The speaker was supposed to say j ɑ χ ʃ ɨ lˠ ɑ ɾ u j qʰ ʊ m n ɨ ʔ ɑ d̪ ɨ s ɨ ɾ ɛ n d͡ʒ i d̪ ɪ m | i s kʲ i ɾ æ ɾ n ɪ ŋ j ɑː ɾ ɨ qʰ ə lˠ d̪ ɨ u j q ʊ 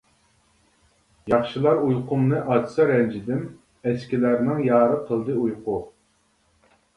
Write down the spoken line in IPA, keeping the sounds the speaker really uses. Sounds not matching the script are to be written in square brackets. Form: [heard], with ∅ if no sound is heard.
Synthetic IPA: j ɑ χ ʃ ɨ lˠ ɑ ɾ u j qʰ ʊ m n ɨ ʔ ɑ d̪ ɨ s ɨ ɾ ɛ n d͡ʒ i d̪ ɪ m | [ɛ] s kʲ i [l] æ ɾ n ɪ ŋ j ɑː ɾ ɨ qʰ ə lˠ d̪ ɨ u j q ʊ